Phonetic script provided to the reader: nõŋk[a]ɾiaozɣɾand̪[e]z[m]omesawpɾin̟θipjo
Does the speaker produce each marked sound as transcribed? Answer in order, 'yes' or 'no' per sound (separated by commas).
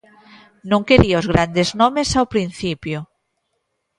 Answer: no, yes, no